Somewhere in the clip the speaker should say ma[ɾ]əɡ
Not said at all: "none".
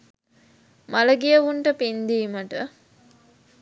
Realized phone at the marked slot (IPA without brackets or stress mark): l